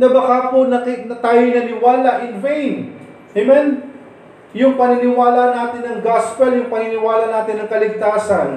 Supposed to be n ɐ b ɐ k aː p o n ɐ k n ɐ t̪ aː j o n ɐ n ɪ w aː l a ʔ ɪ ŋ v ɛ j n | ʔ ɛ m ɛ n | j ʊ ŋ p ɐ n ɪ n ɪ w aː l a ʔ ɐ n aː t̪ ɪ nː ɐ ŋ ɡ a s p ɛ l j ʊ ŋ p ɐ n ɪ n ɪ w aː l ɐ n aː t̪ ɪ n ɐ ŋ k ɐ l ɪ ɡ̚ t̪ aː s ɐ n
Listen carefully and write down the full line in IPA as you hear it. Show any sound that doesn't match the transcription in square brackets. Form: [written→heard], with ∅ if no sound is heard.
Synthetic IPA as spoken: n ɐ b ɐ k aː p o n ɐ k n ɐ t̪ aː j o n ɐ n ɪ w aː l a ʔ ɪ [ŋ→n] v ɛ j n | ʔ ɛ m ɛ n | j ʊ ŋ p ɐ n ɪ n ɪ w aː l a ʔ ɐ n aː t̪ ɪ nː ɐ ŋ ɡ a s p ɛ l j ʊ ŋ p ɐ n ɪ n ɪ w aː l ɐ n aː t̪ ɪ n ɐ ŋ k ɐ l ɪ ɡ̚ t̪ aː s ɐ n